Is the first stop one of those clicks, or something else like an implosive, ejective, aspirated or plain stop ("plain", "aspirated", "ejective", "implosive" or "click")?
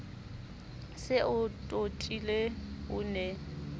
ejective